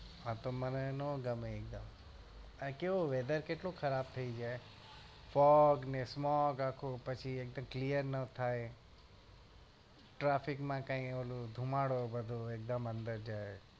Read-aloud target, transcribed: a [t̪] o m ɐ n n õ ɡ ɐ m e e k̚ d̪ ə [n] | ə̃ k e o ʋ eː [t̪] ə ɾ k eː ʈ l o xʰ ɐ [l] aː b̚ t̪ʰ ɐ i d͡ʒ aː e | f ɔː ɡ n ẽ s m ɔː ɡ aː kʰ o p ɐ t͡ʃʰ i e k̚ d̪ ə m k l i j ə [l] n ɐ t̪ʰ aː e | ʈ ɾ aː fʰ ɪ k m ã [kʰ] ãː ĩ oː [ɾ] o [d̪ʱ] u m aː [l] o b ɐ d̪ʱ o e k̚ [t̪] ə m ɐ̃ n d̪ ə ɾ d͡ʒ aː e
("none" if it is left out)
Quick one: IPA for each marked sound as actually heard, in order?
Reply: t̪, m, d̪, ɾ, ɾ, k, l, d̪ʱ, ɽ, d̪

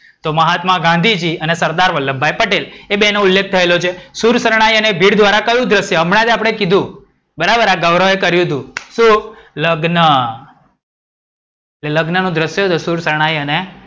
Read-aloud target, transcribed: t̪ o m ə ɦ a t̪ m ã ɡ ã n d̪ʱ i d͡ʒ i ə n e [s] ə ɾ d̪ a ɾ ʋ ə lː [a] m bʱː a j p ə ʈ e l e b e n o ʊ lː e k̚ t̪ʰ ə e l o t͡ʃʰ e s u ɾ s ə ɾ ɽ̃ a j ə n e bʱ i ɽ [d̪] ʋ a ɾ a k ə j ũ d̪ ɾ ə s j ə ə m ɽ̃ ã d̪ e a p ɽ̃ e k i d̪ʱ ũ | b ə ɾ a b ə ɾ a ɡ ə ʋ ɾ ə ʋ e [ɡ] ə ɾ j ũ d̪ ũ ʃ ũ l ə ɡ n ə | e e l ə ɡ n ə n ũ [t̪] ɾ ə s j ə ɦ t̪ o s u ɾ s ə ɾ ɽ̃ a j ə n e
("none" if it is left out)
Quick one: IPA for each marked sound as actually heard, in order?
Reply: s, ə, d̪, k, d̪

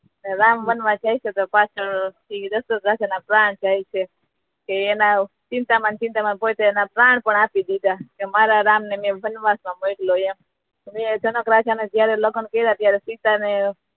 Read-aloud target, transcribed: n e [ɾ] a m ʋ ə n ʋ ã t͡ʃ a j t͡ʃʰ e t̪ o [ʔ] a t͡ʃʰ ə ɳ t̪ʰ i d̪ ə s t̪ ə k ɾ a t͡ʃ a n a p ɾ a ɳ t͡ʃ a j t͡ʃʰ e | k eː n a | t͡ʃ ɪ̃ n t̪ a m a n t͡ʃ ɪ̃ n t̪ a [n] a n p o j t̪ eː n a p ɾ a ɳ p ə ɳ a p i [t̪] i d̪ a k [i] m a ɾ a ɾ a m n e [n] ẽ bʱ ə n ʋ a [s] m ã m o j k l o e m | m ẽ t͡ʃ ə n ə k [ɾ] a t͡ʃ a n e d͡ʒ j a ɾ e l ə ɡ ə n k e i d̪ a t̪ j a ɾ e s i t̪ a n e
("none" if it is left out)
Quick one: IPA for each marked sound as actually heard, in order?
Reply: ɾ, p, m, d̪, e, m, s, ɾ

